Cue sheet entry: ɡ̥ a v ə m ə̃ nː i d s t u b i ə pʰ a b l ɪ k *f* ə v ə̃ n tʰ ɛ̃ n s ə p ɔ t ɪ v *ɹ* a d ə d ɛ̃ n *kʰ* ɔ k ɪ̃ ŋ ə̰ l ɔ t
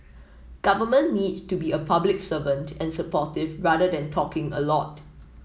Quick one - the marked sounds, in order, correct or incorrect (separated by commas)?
incorrect, correct, incorrect